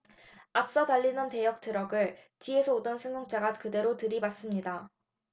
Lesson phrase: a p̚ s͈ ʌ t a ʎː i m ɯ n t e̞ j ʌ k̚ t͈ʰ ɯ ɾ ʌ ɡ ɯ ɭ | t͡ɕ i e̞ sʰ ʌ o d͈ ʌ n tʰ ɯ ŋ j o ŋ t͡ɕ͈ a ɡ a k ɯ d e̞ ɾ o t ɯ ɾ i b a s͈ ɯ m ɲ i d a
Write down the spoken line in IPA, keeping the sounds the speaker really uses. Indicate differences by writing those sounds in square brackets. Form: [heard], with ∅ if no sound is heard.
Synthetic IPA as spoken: a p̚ s͈ ʌ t a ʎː i [n] ɯ n t e̞ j ʌ k̚ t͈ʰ ɯ ɾ ʌ ɡ ɯ ɭ | t͡ɕ i e̞ sʰ ʌ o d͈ ʌ n [sʰ] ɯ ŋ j o ŋ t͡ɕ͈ a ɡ a k ɯ d e̞ ɾ o t ɯ ɾ i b a s͈ ɯ m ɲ i d a